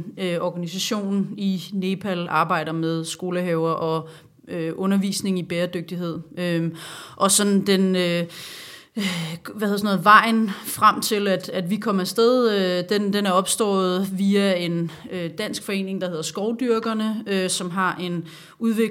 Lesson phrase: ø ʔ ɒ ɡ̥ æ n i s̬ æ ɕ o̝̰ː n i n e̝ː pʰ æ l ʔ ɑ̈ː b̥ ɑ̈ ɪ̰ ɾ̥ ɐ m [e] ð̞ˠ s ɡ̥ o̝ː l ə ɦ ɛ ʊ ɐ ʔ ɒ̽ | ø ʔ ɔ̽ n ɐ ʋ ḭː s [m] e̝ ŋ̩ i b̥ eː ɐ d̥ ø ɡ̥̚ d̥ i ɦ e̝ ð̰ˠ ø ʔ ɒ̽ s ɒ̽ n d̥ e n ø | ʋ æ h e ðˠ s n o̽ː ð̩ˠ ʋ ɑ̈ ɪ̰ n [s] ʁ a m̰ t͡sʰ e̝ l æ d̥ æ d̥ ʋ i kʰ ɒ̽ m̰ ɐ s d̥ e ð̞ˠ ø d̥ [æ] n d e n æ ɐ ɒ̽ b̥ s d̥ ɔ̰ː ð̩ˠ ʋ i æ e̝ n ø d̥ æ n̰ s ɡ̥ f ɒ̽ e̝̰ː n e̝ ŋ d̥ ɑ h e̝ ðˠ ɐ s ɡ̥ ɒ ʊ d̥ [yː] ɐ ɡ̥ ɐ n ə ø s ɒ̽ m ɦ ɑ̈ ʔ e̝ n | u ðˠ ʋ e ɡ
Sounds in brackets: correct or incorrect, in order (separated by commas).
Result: correct, incorrect, incorrect, incorrect, incorrect